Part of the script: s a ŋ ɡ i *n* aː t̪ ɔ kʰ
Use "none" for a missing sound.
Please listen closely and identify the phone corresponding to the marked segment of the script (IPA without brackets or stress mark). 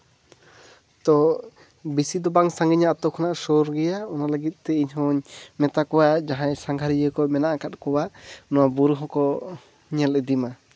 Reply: ɲ